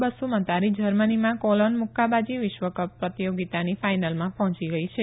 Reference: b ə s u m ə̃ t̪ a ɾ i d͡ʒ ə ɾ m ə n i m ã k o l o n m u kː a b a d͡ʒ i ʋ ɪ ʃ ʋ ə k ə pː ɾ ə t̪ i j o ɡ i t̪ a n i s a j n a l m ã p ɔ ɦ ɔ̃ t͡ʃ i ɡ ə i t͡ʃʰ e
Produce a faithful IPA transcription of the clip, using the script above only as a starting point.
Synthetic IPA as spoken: b ə s u m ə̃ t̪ a ɾ i d͡ʒ ə ɾ m ə n i m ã k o l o n m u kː a b a d͡ʒ i ʋ ɪ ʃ ʋ ə k ə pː ɾ ə t̪ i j o ɡ i t̪ a n i f a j n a l m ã p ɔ ɦ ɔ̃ t͡ʃ i ɡ ə i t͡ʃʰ e